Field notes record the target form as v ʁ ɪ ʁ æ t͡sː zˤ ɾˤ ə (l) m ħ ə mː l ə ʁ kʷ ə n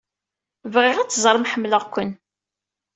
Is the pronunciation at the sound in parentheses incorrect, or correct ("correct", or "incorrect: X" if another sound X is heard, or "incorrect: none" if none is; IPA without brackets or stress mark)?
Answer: incorrect: none